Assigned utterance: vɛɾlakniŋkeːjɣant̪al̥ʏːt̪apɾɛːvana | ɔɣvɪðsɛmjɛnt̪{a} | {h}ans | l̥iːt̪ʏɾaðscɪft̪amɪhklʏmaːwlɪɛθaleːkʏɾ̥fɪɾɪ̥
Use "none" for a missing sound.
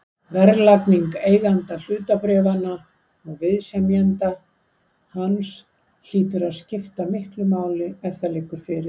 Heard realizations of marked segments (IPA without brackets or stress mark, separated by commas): a, h